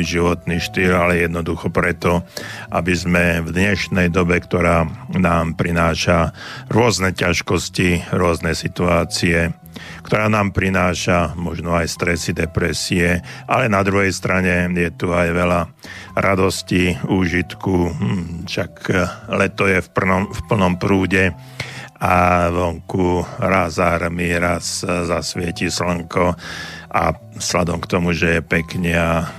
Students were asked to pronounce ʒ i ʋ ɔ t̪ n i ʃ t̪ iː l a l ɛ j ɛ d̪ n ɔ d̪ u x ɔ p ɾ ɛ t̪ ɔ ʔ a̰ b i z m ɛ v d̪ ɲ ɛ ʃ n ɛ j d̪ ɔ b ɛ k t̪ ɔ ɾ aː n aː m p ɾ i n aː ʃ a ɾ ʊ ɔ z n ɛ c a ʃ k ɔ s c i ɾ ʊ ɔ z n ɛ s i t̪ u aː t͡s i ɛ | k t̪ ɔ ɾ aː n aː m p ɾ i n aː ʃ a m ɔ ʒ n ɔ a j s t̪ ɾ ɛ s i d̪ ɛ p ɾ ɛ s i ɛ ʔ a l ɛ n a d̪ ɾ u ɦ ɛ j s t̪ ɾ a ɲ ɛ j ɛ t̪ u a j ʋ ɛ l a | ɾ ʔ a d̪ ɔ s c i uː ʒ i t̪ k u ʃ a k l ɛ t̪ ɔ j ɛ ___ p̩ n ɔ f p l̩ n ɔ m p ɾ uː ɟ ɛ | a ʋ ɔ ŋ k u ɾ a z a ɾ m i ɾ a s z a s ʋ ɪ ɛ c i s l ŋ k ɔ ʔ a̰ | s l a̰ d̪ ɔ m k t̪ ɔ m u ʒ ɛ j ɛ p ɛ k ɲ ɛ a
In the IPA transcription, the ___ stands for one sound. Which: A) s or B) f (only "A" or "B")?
B